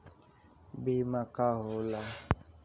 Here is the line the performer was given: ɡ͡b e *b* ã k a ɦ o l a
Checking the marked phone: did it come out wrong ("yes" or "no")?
yes